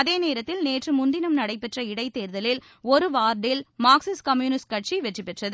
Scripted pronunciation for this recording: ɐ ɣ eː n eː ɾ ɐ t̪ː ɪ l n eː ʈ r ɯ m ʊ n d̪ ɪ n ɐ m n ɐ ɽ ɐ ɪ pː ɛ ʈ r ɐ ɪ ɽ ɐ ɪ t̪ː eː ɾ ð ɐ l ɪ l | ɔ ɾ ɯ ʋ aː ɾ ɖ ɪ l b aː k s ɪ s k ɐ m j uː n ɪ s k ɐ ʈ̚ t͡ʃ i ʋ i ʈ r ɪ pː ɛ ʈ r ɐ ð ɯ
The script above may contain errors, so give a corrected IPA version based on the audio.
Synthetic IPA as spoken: ɐ ð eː n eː ɾ ɐ t̪ː ɪ l n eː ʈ r ɯ m ʊ n d̪ ɪ n ɐ m n ɐ ɽ ɐ ɪ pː ɛ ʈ r ɐ ɪ ɽ ɐ ɪ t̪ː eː ɾ ð ɐ l ɪ l | ɔ ɾ ɯ ʋ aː ɾ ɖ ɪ l m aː k s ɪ s k ɐ m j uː n ɪ s k ɐ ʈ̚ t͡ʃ i ʋ ɛ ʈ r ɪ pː ɛ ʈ r ɐ ð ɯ